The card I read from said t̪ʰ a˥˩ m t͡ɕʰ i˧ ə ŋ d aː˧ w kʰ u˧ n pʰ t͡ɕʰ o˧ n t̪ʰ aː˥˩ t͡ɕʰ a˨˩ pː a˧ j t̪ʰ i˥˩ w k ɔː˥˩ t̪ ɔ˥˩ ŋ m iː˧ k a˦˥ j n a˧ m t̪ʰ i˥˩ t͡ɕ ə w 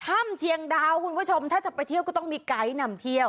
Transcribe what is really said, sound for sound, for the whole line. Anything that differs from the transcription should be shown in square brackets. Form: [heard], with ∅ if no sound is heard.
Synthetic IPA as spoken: t̪ʰ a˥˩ m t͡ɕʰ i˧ ə ŋ d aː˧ w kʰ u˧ n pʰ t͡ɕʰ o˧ [m] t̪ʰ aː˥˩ [t͡ɕ] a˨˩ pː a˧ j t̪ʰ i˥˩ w k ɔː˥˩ t̪ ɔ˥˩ ŋ m iː˧ k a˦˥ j n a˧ m t̪ʰ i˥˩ [∅] ə w